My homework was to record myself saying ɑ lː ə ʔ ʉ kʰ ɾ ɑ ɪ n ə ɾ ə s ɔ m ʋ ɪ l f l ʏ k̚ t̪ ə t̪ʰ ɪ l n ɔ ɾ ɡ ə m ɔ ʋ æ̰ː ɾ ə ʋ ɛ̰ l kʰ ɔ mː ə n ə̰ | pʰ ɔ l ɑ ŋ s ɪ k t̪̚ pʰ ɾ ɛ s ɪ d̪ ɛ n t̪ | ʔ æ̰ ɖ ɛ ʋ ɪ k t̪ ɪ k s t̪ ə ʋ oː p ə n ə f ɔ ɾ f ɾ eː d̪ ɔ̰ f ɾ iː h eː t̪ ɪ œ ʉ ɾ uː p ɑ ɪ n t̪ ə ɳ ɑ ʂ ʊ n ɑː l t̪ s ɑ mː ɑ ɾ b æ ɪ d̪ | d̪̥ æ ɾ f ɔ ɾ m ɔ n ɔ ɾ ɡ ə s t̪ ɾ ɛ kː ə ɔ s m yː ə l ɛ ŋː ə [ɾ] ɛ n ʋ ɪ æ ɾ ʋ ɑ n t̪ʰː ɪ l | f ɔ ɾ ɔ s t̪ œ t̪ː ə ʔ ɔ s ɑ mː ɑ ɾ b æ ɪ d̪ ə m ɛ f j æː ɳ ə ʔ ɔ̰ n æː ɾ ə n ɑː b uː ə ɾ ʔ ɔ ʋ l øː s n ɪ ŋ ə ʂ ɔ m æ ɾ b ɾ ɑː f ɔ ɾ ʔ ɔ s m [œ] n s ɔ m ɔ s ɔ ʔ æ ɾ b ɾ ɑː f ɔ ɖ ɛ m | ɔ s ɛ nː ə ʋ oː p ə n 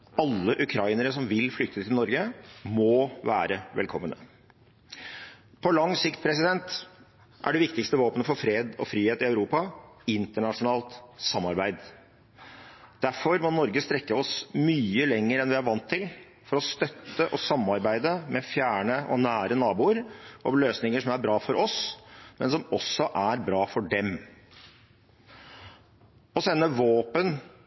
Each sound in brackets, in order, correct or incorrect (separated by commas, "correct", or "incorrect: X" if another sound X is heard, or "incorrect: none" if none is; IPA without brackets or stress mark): correct, incorrect: ɛ